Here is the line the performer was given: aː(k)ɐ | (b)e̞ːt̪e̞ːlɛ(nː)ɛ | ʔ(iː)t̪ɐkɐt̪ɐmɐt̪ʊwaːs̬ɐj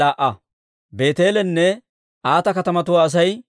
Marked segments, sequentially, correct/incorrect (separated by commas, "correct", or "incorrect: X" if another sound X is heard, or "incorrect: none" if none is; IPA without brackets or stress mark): incorrect: ʔ, correct, correct, incorrect: aː